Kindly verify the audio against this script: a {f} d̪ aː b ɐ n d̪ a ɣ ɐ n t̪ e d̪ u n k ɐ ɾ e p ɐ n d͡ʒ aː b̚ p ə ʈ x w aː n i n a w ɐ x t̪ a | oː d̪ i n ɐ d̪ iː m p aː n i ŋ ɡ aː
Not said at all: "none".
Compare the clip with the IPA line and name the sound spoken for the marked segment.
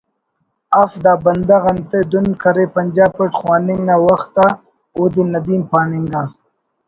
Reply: f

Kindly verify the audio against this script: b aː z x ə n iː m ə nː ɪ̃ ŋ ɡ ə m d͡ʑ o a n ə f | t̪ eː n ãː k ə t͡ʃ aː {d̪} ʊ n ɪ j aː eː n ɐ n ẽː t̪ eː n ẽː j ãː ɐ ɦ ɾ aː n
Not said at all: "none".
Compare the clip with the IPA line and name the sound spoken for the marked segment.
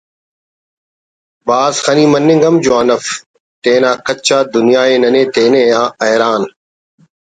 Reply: d̪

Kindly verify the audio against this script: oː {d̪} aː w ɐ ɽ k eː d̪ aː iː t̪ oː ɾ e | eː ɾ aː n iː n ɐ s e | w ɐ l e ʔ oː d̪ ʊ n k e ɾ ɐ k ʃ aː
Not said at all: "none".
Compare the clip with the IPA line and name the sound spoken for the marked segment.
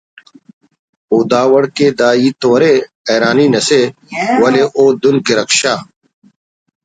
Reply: d̪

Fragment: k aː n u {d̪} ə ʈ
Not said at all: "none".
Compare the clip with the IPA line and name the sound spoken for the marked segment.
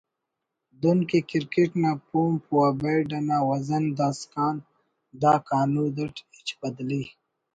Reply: d̪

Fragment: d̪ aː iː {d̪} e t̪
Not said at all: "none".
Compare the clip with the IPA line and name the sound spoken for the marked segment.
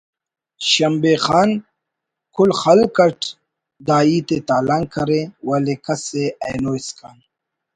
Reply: t̪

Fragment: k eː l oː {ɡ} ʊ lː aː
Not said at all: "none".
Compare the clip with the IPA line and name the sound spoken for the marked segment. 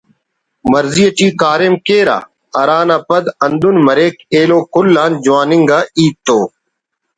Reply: k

